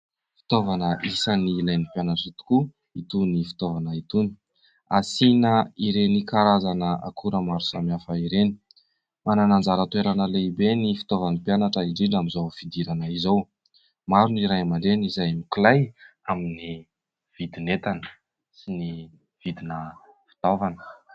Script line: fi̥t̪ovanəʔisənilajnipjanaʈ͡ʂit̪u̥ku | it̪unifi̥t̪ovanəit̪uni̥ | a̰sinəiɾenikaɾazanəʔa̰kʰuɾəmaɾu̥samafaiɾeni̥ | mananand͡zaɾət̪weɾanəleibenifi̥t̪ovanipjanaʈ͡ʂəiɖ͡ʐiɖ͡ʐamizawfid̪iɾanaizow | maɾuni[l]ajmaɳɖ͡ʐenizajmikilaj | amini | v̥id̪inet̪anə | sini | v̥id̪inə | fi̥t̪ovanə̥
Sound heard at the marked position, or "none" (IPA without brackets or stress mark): ɾ